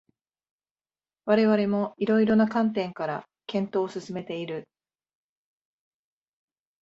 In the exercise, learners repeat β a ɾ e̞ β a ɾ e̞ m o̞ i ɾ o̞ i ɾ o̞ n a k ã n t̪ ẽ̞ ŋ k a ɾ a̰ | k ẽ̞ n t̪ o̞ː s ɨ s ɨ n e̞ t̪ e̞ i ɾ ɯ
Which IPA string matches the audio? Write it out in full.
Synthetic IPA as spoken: β a ɾ e̞ β a ɾ e̞ m o̞ i ɾ o̞ i ɾ o̞ n a k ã n t̪ ẽ̞ ŋ k a ɾ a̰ | k ẽ̞ n t̪ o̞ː s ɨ s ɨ m e̞ t̪ e̞ i ɾ ɯ